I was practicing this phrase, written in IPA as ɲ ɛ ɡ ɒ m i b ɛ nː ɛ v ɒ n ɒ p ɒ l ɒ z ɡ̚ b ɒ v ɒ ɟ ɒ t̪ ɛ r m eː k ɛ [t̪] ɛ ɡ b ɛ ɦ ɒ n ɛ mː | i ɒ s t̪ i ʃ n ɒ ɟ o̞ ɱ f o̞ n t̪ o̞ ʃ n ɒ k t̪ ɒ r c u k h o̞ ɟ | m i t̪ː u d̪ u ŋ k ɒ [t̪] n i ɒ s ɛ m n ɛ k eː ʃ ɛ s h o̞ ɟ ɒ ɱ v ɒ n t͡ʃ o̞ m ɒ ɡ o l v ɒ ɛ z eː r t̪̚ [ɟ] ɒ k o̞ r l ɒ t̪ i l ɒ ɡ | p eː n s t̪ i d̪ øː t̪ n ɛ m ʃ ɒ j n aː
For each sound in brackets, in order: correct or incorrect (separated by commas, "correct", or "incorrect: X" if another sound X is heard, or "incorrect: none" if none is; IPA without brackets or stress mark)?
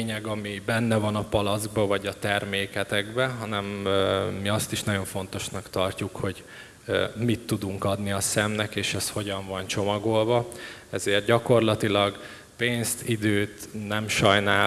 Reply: correct, incorrect: d̪, correct